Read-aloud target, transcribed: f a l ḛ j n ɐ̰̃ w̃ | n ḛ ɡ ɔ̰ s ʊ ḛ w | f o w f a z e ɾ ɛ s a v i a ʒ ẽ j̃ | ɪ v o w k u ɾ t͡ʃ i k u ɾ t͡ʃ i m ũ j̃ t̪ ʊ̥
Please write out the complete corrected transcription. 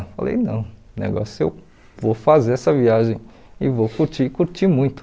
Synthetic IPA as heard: f a l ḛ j n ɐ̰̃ w̃ | n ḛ ɡ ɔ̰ s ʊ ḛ w | v o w f a z e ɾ ɛ s ɐ v i a ʒ ẽ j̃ | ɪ v o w k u ɾ t͡ʃ i k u ɾ t͡ʃ i m ũ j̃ t̪ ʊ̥